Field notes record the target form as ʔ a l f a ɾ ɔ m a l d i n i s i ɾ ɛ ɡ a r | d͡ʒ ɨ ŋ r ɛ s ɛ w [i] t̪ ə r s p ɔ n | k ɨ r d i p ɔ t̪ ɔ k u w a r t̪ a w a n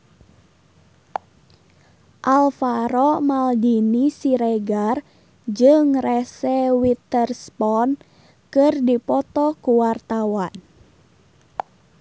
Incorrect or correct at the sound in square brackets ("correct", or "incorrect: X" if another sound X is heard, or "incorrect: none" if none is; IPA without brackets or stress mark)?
correct